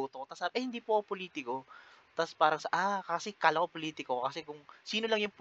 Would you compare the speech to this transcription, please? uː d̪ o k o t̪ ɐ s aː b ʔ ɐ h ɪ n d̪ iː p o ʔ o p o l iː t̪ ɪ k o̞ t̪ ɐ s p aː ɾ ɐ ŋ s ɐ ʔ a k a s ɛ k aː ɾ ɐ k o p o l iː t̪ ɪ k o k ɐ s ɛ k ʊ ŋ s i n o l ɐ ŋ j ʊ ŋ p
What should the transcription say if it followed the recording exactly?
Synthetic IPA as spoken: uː t̪ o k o t̪ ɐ s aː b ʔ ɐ h ɪ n d̪ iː p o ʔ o p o l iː t̪ ɪ k o̞ t̪ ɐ s p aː ɾ ɐ ŋ s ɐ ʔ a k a s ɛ k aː l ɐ k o p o l iː t̪ ɪ k o k ɐ s ɛ k ʊ ŋ s iː n o l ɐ ŋ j ʊ ŋ p